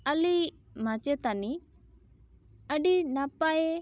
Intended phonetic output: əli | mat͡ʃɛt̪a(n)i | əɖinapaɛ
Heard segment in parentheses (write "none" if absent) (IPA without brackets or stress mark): n